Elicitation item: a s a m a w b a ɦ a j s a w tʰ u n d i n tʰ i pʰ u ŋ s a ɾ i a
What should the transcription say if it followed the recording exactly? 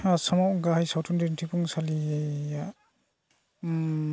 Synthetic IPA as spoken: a s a m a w ɡ a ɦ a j s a w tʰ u n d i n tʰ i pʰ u ŋ s a l i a